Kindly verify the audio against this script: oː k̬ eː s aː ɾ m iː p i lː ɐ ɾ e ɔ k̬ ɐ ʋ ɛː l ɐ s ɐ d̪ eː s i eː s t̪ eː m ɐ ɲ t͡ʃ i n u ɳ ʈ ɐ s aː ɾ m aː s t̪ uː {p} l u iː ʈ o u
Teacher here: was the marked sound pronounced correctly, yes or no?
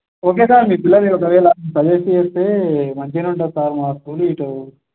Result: no